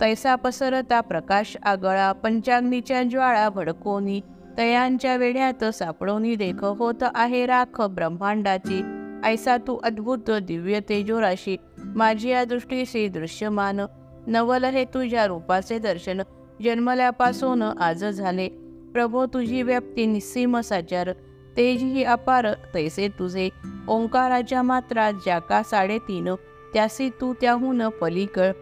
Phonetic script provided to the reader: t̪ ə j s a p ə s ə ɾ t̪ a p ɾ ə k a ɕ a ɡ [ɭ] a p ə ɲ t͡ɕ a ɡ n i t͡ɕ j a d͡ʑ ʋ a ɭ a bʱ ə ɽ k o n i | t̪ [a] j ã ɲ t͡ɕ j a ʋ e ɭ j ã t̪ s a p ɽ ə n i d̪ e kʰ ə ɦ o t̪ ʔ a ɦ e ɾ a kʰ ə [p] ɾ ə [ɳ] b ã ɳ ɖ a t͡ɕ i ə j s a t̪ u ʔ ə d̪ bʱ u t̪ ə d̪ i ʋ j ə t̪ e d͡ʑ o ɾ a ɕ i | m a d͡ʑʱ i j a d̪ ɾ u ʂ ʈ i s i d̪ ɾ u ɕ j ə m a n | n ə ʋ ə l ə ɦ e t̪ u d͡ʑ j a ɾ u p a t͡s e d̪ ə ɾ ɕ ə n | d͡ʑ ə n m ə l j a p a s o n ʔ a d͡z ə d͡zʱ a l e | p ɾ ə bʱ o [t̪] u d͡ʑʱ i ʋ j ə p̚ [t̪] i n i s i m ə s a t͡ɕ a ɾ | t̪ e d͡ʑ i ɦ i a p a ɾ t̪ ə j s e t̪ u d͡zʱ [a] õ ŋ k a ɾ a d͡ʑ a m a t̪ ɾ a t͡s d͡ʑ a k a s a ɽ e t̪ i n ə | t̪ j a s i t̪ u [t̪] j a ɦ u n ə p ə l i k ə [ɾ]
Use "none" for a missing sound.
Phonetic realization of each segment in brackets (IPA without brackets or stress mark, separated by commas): ɭ, ə, b, m, t̪, t̪, e, t̪, ɭ